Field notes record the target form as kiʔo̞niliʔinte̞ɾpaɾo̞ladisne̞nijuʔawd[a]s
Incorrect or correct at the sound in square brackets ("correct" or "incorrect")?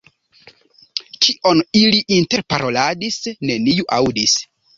incorrect